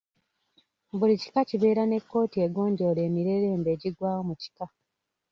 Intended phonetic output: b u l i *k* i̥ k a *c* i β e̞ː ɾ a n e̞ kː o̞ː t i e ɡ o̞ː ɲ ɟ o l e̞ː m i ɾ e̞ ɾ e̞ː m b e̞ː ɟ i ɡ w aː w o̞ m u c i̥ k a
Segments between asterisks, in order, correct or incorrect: incorrect: c, correct

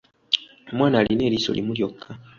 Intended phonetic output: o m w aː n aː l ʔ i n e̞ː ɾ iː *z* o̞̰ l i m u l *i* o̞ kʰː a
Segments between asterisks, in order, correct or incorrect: incorrect: s, incorrect: j

